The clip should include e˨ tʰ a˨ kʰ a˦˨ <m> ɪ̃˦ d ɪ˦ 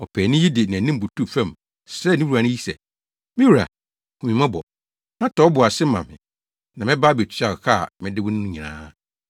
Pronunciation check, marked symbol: correct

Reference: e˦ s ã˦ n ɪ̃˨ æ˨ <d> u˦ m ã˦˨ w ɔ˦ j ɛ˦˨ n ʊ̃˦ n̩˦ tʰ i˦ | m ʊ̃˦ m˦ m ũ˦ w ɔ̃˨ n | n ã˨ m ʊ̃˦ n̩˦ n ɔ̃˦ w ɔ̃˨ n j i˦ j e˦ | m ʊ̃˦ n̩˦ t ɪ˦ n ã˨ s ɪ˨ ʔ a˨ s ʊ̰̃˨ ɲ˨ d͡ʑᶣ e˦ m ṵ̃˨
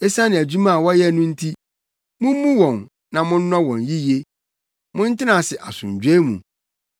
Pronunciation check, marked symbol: incorrect: d͡ʑ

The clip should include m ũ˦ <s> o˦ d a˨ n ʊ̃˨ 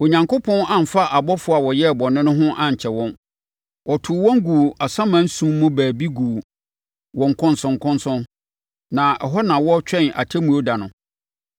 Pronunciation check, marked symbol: incorrect: none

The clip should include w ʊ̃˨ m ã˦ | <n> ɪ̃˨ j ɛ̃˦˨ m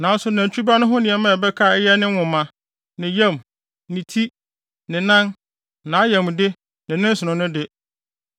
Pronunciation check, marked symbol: correct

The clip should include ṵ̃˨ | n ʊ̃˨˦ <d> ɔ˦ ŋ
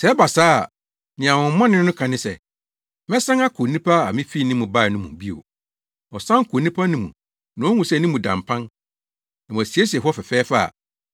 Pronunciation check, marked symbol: incorrect: none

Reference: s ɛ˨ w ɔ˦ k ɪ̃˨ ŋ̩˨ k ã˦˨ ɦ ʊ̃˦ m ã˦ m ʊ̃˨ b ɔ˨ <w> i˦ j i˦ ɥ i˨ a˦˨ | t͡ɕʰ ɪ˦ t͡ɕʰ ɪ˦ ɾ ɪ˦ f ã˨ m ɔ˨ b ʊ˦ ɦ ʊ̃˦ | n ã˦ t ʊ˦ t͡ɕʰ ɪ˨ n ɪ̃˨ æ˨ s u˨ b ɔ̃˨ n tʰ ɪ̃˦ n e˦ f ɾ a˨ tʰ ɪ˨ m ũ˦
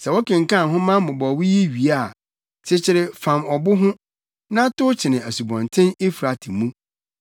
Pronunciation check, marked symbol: correct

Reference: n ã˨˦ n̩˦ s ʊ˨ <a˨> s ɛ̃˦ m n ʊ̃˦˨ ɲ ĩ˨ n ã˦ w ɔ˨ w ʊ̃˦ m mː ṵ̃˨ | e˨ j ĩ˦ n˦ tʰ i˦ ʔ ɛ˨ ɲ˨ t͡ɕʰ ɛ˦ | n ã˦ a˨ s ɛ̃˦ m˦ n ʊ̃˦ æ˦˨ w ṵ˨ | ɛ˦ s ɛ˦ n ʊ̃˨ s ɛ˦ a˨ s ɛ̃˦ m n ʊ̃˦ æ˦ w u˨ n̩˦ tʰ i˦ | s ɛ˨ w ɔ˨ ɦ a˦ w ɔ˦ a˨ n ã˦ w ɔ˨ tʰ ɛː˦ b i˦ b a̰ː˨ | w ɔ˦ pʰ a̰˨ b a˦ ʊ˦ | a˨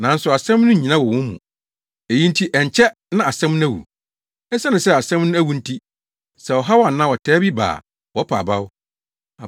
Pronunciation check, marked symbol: correct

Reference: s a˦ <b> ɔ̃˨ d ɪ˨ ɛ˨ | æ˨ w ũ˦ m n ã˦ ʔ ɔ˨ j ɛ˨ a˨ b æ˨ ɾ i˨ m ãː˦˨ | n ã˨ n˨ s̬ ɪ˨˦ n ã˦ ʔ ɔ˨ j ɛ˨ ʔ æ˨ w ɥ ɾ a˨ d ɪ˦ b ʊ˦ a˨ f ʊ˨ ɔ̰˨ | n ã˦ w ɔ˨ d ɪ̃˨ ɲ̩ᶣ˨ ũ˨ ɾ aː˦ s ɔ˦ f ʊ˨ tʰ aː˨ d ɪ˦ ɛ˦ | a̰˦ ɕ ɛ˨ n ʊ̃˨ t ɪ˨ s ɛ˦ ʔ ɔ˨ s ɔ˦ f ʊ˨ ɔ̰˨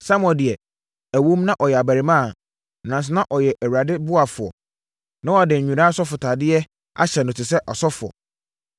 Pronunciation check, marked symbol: incorrect: m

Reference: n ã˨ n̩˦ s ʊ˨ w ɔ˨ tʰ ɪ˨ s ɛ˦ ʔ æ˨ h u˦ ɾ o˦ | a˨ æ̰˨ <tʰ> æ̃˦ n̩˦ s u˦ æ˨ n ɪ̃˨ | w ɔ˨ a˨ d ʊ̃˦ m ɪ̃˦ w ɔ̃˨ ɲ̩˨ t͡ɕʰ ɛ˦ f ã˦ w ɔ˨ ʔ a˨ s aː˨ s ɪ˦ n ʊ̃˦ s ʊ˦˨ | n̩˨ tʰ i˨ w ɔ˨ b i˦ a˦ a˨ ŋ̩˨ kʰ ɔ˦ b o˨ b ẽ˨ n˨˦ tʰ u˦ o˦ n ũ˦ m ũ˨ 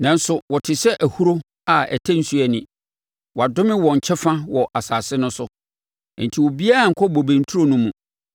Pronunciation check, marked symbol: correct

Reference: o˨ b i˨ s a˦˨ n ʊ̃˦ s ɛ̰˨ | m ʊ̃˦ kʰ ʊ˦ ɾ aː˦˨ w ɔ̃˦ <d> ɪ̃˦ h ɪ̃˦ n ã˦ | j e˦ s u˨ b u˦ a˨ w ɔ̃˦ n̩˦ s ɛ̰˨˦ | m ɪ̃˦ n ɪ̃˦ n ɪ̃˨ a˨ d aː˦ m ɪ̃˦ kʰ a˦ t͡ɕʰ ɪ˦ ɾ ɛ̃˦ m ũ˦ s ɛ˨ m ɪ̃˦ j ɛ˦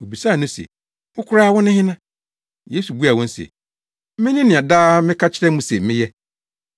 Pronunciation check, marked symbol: incorrect: n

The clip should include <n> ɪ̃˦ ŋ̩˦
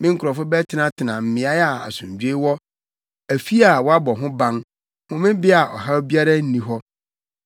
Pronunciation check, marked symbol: incorrect: m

